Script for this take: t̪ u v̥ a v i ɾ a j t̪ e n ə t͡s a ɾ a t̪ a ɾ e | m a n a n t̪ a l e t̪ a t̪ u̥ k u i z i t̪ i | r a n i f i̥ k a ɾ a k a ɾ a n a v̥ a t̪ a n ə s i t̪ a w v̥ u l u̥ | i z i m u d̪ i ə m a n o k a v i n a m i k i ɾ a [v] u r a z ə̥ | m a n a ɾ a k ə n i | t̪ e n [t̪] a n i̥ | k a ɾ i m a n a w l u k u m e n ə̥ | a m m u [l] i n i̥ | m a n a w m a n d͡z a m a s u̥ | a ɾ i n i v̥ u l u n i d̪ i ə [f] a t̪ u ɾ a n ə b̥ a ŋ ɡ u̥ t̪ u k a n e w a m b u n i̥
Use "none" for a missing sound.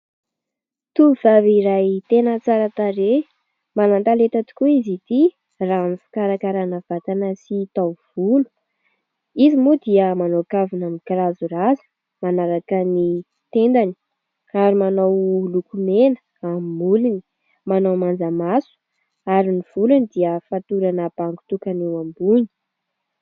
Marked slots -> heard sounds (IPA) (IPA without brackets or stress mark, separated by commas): z, d̪, l, f